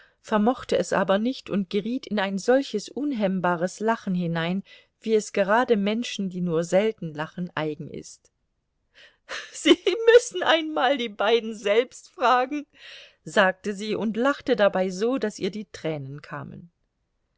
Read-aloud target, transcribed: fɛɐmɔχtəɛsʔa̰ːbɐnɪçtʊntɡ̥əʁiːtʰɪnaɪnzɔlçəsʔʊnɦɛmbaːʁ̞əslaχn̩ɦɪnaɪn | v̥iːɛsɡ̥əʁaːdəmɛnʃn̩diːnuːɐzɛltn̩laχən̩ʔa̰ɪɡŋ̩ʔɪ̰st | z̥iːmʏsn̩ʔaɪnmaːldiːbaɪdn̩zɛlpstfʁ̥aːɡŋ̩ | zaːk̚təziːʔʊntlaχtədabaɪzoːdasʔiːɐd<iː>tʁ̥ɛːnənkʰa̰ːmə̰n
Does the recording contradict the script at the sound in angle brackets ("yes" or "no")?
no